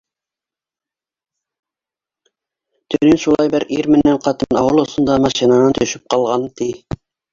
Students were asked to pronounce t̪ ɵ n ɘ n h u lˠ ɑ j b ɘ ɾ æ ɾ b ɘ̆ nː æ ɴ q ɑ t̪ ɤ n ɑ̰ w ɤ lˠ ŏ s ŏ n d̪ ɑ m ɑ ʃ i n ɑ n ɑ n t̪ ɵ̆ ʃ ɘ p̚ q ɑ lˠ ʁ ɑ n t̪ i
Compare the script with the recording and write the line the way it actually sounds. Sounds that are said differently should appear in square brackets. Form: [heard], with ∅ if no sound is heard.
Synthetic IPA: t̪ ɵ n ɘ n [ʃ] u lˠ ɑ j b ɘ ɾ [i] ɾ [m] ɘ̆ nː æ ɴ q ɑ t̪ ɤ n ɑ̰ w ɤ lˠ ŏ s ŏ n d̪ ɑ m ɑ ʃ i n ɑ n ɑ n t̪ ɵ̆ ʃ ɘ p̚ q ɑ lˠ ʁ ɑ n t̪ i